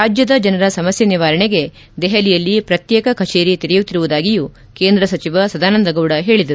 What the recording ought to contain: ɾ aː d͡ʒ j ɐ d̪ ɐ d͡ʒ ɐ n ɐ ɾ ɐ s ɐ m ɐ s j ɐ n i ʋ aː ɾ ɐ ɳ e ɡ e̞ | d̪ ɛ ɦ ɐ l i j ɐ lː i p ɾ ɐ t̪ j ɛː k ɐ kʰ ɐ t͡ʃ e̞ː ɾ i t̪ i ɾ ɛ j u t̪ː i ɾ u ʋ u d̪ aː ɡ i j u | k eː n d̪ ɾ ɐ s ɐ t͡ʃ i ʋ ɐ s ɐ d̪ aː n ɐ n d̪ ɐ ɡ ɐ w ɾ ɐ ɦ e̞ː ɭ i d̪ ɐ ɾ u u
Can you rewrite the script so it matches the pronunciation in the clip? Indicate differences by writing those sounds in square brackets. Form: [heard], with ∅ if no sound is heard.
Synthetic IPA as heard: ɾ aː d͡ʒ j ɐ d̪ ɐ d͡ʒ ɐ n ɐ ɾ ɐ s ɐ m ɐ s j ɐ n i ʋ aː ɾ ɐ ɳ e ɡ e̞ | d̪ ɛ ɦ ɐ l i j ɐ lː i p ɾ ɐ t̪ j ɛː k ɐ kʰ ɐ t͡ʃ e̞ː ɾ i t̪ i ɾ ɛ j u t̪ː i ɾ u ʋ u d̪ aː ɡ i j u | k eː n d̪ ɾ ɐ s ɐ t͡ʃ i ʋ ɐ s ɐ d̪ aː n ɐ n d̪ ɐ ɡ ɐ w [ɽ] ɐ ɦ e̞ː ɭ i d̪ ɐ ɾ u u